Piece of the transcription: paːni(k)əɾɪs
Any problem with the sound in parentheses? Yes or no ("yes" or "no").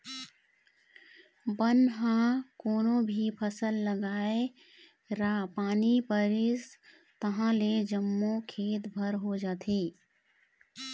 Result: yes